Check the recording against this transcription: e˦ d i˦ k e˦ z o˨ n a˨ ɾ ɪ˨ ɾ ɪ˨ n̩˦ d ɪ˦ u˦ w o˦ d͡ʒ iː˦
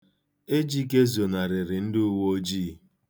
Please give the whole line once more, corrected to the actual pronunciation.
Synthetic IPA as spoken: e˦ d͡ʒ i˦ k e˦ z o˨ n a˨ ɾ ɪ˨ ɾ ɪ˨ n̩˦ d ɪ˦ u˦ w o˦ d͡ʒ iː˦